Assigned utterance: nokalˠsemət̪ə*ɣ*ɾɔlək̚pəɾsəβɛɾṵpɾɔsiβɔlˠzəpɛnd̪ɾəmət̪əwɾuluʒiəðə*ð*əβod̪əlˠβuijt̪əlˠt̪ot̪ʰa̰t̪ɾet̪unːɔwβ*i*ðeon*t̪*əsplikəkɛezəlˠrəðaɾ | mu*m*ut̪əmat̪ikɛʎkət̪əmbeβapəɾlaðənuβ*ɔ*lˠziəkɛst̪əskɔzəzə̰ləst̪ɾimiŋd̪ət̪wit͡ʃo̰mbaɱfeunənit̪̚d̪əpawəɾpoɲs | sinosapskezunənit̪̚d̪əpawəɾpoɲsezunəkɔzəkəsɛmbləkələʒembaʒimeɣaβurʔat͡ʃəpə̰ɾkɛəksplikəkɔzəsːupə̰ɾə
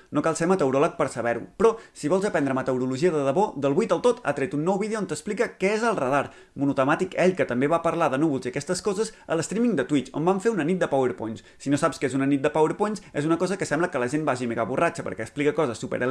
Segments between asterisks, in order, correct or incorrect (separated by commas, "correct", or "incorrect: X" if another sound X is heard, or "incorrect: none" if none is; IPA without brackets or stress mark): incorrect: w, correct, correct, correct, incorrect: n, incorrect: u